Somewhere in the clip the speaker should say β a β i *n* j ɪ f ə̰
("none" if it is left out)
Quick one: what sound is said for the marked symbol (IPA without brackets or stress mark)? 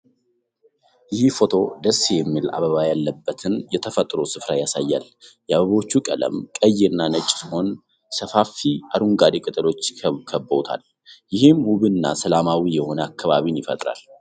n